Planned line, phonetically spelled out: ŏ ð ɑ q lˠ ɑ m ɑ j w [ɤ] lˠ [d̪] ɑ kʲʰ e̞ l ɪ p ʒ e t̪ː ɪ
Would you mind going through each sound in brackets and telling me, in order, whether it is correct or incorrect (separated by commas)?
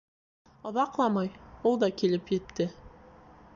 incorrect, correct